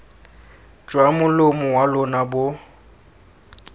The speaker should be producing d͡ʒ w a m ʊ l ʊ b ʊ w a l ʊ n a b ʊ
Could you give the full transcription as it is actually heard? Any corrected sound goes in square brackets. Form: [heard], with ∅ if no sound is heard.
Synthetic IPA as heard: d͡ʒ w a m ʊ l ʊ [m] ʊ w a l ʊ n a b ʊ